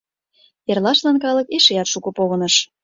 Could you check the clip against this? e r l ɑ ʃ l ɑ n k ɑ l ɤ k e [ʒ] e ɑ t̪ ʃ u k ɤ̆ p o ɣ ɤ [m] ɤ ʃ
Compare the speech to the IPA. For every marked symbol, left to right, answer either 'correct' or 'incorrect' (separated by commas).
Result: incorrect, incorrect